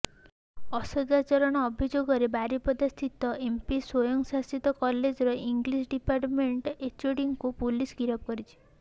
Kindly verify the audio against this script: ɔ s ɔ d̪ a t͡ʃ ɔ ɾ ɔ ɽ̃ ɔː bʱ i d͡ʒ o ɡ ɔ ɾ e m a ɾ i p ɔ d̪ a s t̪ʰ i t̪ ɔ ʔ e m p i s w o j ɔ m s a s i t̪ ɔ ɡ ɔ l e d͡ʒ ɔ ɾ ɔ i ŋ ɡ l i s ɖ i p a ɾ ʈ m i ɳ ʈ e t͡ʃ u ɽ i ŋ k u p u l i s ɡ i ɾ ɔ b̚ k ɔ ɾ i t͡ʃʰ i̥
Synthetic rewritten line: ɔ s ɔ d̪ a t͡ʃ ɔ ɾ ɔ ɽ̃ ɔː bʱ i d͡ʒ o ɡ ɔ ɾ e b a ɾ i p ɔ d̪ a s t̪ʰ i t̪ ɔ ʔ e m p i s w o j ɔ ŋ s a s i t̪ ɔ k ɔ l e d͡ʒ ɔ ɾ ɔ i ŋ ɡ l i s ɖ i p a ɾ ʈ m e ɳ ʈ e t͡ʃ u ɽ i ŋ k u p u l i s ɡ i ɾ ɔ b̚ k ɔ ɾ i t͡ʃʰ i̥